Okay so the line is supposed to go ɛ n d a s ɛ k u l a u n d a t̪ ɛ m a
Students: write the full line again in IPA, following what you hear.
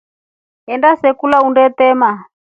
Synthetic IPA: ɛ n d a s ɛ k u l a u n d ɛ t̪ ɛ m a